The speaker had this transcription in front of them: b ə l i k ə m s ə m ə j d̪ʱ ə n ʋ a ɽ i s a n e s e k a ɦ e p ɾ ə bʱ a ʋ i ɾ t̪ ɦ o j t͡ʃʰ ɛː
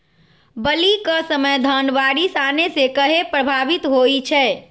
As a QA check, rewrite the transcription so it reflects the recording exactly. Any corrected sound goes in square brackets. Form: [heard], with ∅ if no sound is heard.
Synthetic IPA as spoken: b ə l i k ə [∅] s ə m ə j d̪ʱ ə n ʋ a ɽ i s a n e s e k [ə] ɦ e p ɾ ə bʱ a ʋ i [∅] t̪ ɦ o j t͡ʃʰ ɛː